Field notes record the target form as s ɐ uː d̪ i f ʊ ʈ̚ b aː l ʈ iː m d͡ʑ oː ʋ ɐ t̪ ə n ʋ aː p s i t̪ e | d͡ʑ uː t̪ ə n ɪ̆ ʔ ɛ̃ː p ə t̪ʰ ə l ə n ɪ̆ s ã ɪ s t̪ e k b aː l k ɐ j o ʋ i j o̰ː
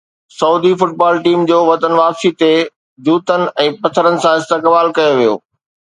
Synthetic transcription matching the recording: s ɐ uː d̪ i f ʊ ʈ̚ b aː l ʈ iː m d͡ʑ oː ʋ ɐ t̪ ə n ʋ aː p s i t̪ e | d͡ʑ uː t̪ ə n ɪ̆ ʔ ɛ̃ː p ɐ t̪ʰ ə ɾ ə n ɪ̆ s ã ɪ s t̪ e k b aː l k ɐ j o ʋ i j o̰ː